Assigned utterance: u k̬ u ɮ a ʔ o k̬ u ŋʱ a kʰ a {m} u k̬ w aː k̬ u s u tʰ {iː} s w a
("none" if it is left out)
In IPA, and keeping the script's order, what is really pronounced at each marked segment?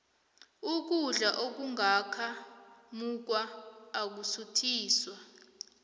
m, iː

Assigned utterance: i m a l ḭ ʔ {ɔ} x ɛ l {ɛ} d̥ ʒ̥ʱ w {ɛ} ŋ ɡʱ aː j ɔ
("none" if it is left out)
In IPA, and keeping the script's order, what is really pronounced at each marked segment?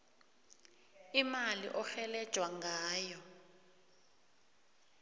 ɔ, ɛ, a

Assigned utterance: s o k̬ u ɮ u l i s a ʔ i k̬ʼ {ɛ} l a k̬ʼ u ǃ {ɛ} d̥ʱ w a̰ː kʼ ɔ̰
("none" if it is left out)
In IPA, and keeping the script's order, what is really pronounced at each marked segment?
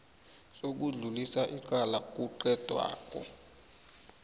a, ɛ

